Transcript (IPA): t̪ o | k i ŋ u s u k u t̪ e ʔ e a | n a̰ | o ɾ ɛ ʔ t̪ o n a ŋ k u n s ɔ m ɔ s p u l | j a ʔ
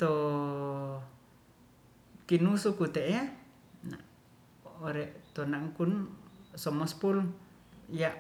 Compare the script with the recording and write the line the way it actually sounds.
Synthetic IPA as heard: t̪ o | k i n u s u k u t̪ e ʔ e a | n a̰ | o ɾ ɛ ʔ t̪ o n a ŋ k u n s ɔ m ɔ s p u l | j a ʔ